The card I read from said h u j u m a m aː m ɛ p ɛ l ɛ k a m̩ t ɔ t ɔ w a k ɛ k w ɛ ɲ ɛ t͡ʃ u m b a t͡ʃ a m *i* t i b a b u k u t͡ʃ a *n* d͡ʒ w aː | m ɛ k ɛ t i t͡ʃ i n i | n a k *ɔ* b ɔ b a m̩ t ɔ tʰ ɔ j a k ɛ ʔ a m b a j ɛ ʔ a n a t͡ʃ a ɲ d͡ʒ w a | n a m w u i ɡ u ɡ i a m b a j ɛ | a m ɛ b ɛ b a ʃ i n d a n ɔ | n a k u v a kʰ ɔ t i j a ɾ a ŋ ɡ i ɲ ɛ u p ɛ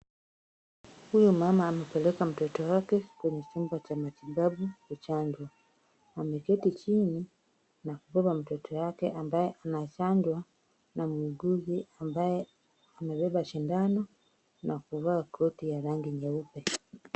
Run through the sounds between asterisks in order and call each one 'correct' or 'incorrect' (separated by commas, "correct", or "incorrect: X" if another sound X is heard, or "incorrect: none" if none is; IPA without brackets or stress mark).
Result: incorrect: a, incorrect: ɲ, incorrect: u